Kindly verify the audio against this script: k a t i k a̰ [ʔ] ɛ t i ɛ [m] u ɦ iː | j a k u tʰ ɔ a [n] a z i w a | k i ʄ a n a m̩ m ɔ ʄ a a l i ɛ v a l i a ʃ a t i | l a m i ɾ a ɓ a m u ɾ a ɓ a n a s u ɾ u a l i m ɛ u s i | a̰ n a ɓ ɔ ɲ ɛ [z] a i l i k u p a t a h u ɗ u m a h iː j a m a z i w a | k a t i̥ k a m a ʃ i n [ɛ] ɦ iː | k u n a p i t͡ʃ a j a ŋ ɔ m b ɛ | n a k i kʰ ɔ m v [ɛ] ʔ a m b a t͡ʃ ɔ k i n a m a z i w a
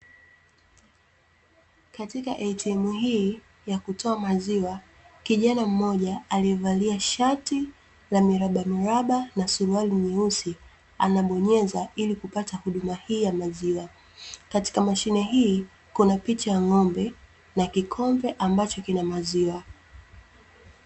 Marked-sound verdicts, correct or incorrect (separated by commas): correct, correct, incorrect, correct, correct, correct